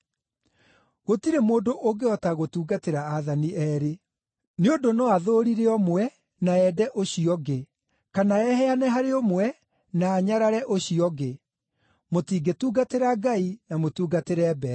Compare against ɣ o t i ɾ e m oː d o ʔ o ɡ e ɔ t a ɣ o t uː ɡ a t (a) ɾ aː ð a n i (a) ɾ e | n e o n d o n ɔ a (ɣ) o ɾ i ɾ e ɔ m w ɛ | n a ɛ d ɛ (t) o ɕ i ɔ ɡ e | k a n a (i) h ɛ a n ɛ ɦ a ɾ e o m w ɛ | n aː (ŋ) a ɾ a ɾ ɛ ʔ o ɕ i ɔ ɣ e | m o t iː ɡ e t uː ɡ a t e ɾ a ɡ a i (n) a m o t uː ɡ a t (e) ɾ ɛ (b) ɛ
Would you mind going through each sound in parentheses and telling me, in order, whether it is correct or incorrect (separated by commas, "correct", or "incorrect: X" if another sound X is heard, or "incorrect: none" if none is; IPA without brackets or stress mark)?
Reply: incorrect: e, incorrect: ɛ, incorrect: ð, incorrect: ʔ, incorrect: ɛ, incorrect: ɲ, correct, correct, correct